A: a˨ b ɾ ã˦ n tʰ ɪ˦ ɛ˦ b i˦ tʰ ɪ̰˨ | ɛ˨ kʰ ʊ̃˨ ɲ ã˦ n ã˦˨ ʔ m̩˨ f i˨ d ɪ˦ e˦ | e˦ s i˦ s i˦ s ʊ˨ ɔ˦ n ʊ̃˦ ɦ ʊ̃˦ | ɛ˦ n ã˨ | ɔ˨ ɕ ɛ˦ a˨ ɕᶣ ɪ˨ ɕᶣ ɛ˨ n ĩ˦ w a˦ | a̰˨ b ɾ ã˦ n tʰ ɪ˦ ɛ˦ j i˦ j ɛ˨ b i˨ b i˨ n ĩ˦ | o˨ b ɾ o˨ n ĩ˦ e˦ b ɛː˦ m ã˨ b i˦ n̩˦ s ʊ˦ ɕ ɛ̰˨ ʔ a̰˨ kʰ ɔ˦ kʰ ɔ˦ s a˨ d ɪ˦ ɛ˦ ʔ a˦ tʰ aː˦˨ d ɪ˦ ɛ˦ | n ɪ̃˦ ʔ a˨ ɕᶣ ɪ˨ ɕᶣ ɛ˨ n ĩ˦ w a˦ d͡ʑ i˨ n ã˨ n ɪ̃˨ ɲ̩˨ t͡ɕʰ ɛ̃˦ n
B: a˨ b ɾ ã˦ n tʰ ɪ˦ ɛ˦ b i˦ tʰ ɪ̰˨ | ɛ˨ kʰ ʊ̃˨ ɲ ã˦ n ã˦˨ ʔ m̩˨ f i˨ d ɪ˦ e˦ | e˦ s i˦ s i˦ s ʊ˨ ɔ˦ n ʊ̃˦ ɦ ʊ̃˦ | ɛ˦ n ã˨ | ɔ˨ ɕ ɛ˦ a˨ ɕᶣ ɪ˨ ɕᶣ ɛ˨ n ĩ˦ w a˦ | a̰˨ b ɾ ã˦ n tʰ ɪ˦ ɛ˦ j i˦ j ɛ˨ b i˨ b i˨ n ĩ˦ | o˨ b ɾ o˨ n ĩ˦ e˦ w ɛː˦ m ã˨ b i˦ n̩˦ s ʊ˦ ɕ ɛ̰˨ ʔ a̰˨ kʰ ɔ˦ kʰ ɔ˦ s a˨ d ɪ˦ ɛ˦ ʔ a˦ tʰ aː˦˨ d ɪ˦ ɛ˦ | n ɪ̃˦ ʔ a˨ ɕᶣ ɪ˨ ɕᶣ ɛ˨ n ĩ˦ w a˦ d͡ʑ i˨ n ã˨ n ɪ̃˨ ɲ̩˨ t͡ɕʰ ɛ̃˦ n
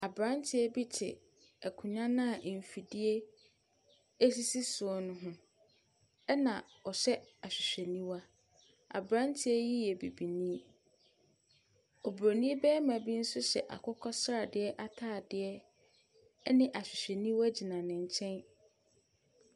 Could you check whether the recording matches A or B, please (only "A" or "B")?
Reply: A